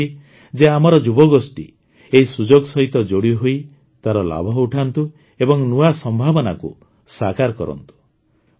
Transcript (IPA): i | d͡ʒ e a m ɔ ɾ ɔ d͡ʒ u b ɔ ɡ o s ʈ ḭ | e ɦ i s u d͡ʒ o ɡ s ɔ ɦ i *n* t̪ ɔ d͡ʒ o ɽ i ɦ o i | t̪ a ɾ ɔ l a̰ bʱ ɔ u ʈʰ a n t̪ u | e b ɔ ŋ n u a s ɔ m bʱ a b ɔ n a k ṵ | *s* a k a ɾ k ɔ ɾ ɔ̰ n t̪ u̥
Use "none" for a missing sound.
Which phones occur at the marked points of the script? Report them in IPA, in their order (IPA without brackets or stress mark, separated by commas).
none, s